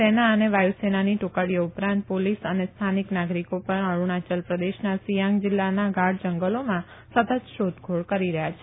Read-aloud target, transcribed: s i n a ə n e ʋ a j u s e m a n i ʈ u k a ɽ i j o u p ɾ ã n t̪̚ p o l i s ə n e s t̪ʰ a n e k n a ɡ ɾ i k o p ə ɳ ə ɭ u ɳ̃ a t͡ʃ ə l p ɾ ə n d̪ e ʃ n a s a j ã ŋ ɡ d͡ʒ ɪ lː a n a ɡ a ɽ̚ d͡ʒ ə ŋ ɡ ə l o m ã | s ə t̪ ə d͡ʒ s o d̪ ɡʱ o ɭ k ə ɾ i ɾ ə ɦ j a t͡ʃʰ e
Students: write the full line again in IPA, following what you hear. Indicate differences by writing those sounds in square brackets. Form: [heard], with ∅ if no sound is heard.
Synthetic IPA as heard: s [e] n a ə n e ʋ a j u s e [n] a n i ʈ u k a ɽ i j o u p ɾ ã n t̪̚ p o l i s ə n e s t̪ʰ a n [i] k n a ɡ ɾ i k o p ə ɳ ə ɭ u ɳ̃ a t͡ʃ ə l p ɾ ə [∅] d̪ e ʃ n a s [i] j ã ŋ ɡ d͡ʒ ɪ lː a n a ɡ a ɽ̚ d͡ʒ ə ŋ ɡ ə l o m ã | s ə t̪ ə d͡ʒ [ʃ] o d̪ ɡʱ o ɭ k ə ɾ i ɾ ə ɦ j a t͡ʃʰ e